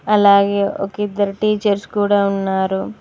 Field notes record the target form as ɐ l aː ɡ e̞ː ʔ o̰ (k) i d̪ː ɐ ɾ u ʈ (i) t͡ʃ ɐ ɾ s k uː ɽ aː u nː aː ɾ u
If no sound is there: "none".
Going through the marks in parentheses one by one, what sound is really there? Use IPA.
k, iː

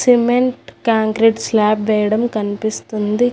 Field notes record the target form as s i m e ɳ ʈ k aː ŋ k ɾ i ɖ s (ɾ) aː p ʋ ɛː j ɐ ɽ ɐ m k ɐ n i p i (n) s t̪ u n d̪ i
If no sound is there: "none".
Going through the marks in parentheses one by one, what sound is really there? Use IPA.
l, none

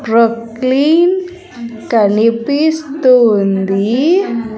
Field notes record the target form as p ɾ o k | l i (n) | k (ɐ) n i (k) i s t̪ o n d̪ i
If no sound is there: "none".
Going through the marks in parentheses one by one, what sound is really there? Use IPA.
n, a, p

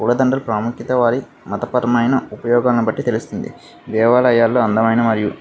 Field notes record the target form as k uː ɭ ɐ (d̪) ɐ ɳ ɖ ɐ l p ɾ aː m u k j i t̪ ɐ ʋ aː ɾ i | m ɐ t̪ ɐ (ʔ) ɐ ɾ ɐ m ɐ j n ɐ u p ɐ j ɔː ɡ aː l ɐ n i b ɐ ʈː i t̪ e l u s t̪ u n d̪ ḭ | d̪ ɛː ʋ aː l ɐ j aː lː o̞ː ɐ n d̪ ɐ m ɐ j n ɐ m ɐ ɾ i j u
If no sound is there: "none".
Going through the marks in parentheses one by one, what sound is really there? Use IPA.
d̪, p

